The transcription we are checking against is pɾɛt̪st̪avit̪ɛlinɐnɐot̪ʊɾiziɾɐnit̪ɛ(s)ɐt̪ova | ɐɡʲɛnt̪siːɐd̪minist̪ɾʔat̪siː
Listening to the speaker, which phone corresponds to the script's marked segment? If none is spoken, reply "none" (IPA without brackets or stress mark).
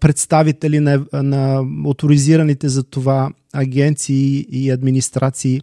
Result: z